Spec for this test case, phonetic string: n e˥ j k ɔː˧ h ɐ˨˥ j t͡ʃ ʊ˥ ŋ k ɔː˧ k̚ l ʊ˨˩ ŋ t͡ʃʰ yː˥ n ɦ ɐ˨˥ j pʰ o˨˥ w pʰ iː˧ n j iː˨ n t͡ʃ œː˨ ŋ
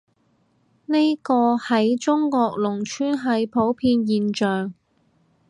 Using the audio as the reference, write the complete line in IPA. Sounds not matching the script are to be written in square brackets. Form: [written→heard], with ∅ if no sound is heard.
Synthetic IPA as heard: n e˥ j k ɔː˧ h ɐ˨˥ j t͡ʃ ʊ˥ ŋ k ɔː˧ k̚ l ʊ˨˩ ŋ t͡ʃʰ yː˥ n ɦ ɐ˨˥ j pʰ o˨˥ w pʰ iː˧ n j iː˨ n t͡ʃ œː˨ ŋ